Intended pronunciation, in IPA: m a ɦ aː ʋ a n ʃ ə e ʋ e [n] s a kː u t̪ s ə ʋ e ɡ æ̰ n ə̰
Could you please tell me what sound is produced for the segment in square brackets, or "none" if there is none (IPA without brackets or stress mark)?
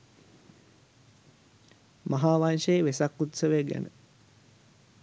none